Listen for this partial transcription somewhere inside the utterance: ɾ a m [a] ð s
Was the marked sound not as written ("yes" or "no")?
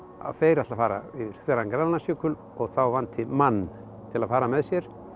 yes